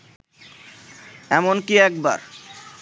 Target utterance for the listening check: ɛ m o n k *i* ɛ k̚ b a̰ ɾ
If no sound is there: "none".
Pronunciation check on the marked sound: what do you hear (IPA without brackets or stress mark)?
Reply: i